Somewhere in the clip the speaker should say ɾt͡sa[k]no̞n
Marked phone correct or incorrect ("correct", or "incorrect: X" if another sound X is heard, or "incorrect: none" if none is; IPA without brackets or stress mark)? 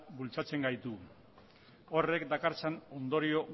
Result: incorrect: none